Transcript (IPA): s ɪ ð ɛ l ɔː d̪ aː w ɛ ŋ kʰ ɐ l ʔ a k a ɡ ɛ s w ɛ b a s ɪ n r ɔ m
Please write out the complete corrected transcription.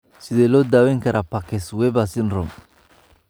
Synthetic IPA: s ɪ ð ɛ l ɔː d̪ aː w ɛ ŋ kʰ ɐ ɾ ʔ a p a k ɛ s w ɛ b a s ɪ n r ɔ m